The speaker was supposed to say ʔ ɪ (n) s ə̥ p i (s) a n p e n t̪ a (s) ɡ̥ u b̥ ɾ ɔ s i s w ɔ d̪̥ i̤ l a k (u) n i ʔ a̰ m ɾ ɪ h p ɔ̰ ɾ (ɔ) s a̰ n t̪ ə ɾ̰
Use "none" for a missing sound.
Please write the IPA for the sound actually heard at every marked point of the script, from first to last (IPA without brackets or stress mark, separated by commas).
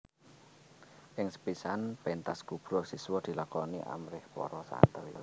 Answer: ŋ, s, s, ɔ, ɔ